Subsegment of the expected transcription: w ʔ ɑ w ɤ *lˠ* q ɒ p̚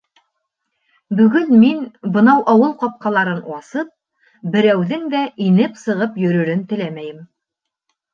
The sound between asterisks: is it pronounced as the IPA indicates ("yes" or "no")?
yes